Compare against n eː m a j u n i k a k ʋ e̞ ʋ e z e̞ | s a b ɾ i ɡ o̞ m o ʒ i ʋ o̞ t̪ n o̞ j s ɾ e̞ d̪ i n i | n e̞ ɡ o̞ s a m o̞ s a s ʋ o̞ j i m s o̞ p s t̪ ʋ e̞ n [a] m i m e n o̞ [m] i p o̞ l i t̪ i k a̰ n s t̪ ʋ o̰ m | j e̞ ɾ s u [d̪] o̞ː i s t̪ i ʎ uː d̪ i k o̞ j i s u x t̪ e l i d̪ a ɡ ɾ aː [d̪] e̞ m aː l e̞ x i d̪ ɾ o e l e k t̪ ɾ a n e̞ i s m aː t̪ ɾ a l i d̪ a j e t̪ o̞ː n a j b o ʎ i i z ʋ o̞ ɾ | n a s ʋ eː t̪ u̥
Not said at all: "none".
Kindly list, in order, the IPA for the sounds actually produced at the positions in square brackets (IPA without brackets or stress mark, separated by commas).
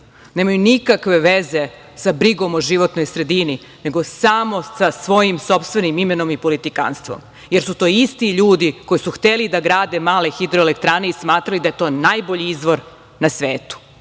i, m, t̪, d̪